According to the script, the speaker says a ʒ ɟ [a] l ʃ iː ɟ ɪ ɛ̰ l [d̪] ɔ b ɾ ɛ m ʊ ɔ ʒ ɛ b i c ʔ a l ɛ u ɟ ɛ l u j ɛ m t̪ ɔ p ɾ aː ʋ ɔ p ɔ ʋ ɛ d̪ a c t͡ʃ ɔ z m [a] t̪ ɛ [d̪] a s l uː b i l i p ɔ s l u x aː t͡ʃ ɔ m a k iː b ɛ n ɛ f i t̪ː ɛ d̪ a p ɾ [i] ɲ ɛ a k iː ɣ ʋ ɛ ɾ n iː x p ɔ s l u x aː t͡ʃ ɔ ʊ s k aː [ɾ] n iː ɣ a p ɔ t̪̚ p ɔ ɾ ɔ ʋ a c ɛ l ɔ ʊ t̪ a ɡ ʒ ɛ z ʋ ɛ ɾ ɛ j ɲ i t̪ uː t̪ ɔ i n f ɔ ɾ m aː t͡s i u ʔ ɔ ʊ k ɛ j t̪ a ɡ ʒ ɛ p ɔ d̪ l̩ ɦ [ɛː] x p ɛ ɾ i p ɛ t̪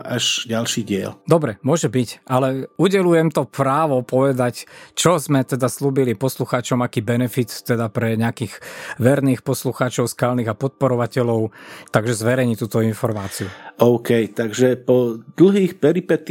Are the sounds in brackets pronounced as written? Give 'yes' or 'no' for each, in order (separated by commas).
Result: yes, yes, no, yes, no, no, no